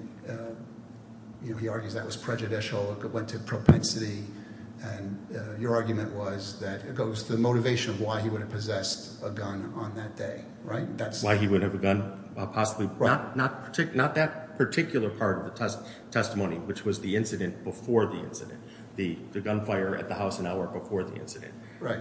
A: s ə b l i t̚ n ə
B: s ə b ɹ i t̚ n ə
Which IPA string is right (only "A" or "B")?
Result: A